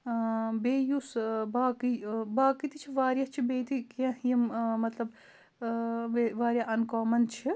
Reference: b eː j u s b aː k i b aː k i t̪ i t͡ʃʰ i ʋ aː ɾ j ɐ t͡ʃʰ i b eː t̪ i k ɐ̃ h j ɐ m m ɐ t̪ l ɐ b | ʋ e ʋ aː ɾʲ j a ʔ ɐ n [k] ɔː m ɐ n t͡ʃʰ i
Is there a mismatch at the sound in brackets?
no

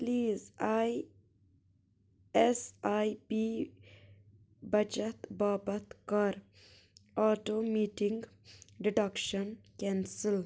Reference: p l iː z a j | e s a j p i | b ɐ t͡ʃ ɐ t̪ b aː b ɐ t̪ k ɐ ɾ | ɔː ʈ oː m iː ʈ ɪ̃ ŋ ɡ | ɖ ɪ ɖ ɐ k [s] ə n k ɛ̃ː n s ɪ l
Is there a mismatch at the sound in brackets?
yes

